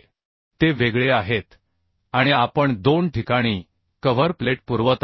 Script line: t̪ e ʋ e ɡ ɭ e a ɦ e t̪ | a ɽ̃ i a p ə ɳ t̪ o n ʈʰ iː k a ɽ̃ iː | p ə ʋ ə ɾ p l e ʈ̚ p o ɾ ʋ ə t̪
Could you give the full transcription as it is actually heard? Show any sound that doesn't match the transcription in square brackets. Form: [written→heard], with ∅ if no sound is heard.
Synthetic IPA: t̪ e ʋ e ɡ ɭ e a ɦ e t̪ | a ɽ̃ i a p ə ɳ [t̪→d̪] o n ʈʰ [iː→i] k a ɽ̃ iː | [p→k] ə ʋ ə ɾ p l e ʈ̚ p [o→u] ɾ ʋ ə t̪